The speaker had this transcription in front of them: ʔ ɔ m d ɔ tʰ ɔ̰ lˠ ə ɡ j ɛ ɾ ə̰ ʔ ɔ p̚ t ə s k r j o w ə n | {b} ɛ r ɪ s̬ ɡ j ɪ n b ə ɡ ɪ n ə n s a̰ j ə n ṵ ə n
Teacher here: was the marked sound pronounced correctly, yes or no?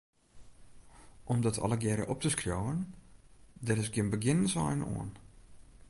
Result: no